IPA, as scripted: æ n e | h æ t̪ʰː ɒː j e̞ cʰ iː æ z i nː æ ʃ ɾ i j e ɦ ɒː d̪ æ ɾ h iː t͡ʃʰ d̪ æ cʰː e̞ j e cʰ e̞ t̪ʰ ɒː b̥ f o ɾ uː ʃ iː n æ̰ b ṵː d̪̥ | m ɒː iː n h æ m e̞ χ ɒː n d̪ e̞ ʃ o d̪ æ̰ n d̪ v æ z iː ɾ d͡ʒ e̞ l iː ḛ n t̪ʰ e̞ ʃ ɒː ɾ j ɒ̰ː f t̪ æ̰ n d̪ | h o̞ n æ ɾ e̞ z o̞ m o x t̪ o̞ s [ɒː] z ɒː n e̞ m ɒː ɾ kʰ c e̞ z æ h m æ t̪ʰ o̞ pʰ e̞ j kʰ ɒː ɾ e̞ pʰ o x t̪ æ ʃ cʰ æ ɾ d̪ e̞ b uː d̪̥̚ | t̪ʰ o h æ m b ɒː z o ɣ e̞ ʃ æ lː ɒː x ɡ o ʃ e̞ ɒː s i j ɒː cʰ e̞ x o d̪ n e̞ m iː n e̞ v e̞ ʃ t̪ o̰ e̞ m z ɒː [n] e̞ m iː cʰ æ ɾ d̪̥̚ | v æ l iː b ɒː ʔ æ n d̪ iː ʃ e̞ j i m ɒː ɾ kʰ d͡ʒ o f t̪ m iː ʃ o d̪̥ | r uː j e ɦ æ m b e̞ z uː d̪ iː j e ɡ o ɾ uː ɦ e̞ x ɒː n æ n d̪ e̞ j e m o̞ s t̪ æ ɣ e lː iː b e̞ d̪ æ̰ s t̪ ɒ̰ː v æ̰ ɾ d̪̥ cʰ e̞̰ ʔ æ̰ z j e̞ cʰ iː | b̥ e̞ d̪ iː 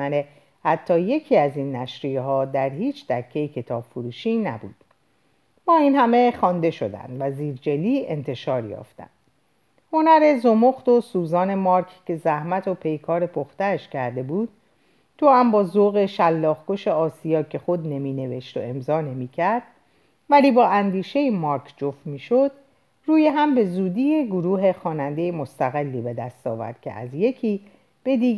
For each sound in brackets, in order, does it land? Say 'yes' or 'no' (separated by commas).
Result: no, yes